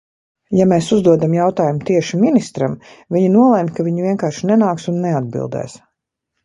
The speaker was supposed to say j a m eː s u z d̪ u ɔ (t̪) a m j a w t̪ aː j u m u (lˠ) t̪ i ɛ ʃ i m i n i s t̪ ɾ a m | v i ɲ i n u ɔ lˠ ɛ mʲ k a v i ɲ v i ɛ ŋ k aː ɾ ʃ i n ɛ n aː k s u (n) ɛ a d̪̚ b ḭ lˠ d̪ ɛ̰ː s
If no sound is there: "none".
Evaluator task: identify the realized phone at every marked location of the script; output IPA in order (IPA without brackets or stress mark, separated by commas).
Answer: d̪, none, nː